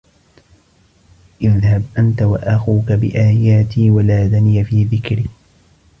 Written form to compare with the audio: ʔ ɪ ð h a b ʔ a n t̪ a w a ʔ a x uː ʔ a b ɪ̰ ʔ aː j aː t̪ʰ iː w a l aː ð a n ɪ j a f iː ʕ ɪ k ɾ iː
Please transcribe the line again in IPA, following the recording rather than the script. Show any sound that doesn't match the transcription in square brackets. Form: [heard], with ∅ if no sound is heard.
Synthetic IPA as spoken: ʔ ɪ ð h a b ʔ a n t̪ a w a ʔ a x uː [k] a b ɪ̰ ʔ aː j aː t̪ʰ iː w a l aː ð a n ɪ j a f iː [ð] ɪ k ɾ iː